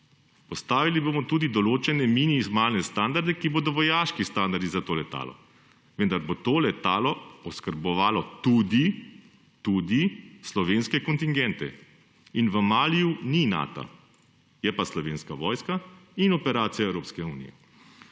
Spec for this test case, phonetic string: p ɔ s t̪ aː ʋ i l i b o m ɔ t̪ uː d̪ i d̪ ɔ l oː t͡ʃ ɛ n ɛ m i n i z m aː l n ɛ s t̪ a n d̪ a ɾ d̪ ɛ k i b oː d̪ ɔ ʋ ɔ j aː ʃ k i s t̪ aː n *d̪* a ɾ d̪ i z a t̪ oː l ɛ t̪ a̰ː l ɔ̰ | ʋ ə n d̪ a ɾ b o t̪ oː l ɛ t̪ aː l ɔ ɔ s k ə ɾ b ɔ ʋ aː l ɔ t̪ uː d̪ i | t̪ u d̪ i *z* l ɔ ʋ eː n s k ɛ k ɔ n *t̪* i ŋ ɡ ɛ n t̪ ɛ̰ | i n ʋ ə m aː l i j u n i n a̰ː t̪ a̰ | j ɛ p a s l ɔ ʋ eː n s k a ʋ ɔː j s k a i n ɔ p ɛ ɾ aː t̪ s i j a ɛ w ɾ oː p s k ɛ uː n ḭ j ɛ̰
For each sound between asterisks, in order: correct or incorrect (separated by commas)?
correct, incorrect, correct